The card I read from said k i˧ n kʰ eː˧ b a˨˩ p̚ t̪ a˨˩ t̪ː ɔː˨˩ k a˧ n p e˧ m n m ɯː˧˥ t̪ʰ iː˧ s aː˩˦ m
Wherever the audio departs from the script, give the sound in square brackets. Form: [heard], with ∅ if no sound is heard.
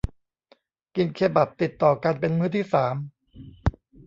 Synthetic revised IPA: k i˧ n kʰ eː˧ b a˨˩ p̚ t̪ [i˨˩] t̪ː ɔː˨˩ k a˧ n p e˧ [∅] n m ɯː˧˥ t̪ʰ [iː˥˩] s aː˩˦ m

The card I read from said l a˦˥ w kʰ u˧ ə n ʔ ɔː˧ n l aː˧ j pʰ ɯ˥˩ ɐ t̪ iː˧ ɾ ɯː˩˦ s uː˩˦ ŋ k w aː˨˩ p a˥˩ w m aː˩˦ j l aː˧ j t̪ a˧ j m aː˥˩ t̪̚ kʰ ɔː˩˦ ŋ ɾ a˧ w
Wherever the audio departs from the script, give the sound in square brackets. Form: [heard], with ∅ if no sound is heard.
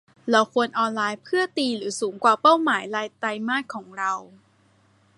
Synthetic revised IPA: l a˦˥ w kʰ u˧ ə n ʔ ɔː˧ n l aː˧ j pʰ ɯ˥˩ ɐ t̪ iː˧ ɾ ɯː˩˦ s uː˩˦ ŋ k w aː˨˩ p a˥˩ w m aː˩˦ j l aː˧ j t̪ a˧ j m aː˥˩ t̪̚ kʰ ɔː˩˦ ŋ ɾ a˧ w

